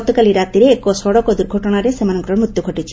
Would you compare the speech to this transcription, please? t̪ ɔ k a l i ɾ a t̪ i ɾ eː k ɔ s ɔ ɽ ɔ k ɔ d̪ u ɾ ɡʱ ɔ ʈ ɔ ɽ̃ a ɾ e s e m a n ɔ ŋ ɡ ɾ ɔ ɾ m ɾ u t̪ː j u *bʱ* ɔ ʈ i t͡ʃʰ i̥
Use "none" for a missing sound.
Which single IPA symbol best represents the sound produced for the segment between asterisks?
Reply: ɡʱ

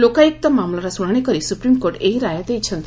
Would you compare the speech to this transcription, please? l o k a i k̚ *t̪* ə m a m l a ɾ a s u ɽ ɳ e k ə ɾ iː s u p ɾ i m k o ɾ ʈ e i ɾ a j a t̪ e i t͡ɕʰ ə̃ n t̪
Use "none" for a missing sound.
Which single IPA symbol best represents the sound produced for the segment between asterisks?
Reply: t̪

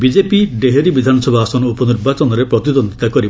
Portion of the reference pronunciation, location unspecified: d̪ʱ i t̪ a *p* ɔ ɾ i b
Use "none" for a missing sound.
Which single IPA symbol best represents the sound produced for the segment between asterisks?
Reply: k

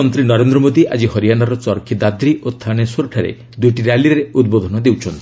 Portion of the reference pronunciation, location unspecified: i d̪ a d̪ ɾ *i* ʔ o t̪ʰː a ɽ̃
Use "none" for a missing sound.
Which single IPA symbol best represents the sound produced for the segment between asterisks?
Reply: i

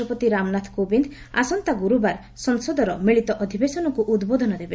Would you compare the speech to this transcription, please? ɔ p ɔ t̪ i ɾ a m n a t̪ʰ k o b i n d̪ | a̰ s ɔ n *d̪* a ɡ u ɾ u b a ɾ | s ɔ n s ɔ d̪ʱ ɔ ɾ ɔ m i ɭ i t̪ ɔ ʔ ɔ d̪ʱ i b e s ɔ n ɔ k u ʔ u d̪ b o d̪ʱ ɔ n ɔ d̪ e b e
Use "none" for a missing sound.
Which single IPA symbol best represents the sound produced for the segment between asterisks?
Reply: t̪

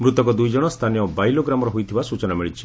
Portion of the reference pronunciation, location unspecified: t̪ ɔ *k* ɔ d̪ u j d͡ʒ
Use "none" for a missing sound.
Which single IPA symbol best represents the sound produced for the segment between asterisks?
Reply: k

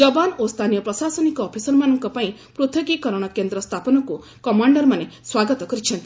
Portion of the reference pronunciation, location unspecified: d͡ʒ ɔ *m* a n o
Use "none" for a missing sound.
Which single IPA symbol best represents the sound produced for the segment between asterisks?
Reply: b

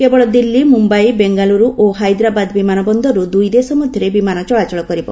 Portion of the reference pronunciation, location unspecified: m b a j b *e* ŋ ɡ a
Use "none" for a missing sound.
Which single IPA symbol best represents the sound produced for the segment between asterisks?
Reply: e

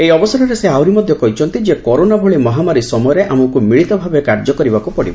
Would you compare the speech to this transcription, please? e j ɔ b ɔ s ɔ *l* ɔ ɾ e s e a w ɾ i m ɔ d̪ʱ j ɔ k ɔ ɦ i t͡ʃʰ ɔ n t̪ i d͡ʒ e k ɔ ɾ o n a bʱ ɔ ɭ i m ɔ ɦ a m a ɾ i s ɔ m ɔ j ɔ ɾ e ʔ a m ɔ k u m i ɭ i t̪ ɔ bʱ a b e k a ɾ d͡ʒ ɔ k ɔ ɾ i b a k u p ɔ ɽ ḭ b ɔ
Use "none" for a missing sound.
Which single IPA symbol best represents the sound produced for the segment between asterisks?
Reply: ɾ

